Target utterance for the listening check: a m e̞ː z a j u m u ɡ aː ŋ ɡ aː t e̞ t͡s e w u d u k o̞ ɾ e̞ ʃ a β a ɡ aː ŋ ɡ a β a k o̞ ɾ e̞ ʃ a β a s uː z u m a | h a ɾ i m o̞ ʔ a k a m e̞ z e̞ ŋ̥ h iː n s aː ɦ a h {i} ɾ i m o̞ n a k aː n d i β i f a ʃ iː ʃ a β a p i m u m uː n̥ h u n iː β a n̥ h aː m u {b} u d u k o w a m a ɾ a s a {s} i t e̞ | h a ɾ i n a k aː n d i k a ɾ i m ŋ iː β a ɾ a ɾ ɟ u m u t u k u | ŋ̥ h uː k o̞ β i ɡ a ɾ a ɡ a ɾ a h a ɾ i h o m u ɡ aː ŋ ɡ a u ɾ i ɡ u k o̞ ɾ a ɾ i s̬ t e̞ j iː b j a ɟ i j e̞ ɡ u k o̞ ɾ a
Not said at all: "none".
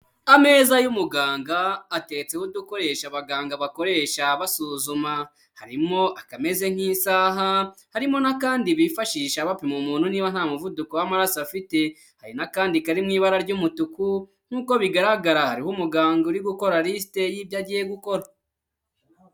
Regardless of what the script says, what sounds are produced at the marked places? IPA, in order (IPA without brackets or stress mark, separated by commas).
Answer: a, v, f